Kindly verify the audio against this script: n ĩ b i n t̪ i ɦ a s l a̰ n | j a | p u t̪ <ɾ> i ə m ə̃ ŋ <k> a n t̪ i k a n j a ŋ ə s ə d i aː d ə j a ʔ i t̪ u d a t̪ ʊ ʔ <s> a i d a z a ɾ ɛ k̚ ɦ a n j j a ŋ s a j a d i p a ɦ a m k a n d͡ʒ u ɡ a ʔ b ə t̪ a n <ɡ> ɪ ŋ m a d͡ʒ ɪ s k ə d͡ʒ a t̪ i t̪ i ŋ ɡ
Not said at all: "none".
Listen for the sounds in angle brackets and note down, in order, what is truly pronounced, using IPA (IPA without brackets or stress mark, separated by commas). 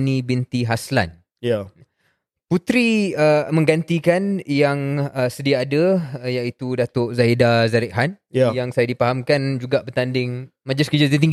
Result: ɾ, ɡ, z, d